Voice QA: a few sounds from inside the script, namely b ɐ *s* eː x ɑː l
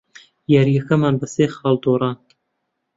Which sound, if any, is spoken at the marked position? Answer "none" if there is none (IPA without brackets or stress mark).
s